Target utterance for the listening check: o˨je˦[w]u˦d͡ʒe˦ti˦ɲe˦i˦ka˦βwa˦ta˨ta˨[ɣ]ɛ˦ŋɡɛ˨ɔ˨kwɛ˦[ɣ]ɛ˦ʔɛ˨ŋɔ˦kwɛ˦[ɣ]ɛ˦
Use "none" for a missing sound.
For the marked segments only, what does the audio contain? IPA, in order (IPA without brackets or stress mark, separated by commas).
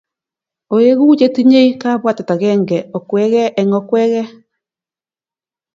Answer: ɣ, ɣ, ɣ, ɣ